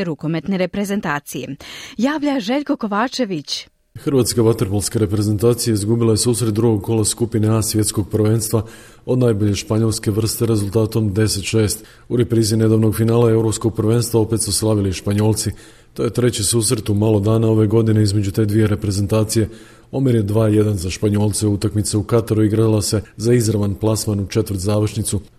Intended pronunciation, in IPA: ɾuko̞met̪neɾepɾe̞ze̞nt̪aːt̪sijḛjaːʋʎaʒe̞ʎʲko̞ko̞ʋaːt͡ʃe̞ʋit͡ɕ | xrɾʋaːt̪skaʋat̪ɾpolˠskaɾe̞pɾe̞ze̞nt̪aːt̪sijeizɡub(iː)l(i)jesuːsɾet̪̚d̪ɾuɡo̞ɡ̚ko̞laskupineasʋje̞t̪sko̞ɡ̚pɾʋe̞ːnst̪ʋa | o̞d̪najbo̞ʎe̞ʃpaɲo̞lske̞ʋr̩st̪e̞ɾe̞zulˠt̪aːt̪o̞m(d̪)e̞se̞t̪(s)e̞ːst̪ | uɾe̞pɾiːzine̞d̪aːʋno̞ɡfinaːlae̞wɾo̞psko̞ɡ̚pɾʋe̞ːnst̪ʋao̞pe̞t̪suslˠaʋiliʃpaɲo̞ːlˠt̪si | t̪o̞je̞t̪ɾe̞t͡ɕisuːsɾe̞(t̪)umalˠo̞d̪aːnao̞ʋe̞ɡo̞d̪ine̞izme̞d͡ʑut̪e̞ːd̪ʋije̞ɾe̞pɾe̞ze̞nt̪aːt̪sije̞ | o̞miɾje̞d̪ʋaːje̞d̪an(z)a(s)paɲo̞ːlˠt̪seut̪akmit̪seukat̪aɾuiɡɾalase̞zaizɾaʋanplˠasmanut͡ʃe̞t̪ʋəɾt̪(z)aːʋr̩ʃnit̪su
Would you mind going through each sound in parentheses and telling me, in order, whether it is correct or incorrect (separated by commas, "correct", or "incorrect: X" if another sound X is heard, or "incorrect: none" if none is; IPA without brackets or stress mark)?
incorrect: i, incorrect: a, correct, incorrect: ʃ, correct, correct, incorrect: ʃ, correct